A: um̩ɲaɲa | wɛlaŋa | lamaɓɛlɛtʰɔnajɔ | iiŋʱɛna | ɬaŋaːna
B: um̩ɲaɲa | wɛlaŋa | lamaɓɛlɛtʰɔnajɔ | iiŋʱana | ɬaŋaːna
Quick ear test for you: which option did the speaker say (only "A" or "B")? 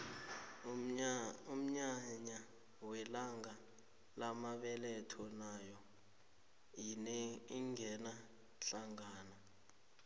A